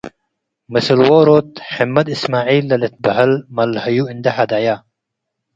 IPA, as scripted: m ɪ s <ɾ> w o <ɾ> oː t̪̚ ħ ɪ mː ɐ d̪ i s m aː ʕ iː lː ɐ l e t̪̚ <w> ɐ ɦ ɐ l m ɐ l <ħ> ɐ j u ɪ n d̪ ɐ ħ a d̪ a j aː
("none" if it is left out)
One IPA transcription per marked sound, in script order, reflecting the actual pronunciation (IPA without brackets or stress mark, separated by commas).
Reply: l, ɾ, b, h